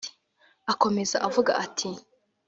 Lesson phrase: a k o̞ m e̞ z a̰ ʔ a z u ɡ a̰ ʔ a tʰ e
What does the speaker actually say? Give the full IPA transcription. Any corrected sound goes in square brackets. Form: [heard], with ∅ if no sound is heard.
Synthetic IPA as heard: a k o̞ m e̞ z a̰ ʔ a [v] u ɡ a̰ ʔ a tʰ [i]